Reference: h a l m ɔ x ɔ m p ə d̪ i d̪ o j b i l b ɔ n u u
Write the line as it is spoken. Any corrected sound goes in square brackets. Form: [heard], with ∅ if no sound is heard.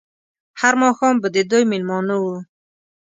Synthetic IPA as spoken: h a [ɾ] m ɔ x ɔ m [b] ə d̪ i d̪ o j [m] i l [m] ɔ n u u